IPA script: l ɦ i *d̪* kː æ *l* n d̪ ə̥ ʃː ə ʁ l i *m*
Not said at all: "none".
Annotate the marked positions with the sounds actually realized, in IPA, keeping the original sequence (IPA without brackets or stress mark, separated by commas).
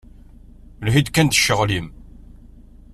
d̪, none, m